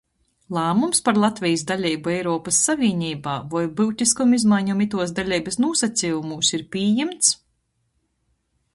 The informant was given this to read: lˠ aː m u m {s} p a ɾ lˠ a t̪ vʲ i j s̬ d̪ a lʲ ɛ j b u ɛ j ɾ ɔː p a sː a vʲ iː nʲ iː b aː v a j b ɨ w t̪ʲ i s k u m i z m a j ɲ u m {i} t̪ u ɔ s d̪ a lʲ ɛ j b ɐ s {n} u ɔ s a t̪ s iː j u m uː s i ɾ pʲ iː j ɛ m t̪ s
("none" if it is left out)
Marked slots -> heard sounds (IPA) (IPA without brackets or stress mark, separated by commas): s, i, n